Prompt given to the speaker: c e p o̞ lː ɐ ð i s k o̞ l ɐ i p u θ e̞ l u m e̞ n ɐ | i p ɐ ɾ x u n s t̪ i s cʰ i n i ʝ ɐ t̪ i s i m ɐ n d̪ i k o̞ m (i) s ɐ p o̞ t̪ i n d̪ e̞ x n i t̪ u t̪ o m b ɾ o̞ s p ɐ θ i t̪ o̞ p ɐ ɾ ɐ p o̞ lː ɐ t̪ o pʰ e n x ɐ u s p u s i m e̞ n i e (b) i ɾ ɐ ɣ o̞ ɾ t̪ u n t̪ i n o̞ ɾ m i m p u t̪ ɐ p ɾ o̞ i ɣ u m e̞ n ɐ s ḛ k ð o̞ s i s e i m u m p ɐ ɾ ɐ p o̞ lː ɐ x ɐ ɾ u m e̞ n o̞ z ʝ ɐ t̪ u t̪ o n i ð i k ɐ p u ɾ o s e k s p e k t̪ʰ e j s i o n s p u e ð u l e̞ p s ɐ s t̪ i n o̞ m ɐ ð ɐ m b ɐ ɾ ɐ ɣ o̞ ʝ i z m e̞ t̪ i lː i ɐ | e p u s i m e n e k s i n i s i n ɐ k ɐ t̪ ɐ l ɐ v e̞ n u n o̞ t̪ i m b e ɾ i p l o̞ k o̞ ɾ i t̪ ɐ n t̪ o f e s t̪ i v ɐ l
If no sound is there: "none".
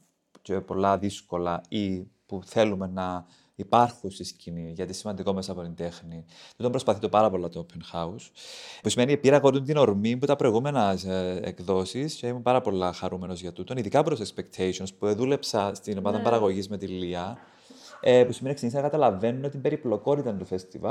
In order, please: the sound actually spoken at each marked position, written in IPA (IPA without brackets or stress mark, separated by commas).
e, p